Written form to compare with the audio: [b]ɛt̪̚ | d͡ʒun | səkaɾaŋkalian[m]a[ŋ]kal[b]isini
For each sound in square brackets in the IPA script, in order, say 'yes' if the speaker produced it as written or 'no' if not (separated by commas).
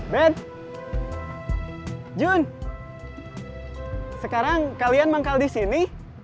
yes, yes, yes, no